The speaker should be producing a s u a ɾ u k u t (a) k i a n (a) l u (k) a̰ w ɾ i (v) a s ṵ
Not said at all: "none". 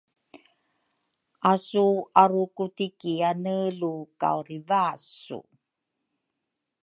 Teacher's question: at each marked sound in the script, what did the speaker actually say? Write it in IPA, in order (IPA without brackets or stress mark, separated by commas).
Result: i, ə, k, v